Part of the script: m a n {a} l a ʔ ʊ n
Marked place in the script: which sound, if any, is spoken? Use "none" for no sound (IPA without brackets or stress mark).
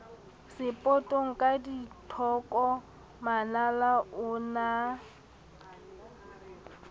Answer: a